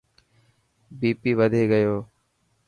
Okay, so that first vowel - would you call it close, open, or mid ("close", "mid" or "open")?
close